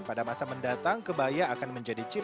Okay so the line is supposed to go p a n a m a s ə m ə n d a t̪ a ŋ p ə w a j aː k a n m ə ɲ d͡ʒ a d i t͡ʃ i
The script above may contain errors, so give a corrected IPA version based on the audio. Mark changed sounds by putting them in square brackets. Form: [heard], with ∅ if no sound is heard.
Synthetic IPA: p a [d] a m a s [a] m ə n d a t̪ a ŋ [k] ə [b] a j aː k a n m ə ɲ d͡ʒ a d i t͡ʃ i